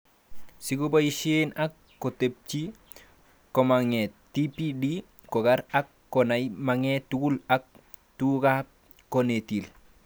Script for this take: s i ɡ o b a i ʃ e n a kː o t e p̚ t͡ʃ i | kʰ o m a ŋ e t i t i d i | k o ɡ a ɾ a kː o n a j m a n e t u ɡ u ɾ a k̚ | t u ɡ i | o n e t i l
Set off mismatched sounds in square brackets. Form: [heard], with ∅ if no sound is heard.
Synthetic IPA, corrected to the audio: s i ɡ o b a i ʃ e n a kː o t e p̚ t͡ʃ i | [k] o m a ŋ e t i [p] i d i | k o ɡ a ɾ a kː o n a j m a [ŋ] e t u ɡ u [l] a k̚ | t u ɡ [a] | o n e t i l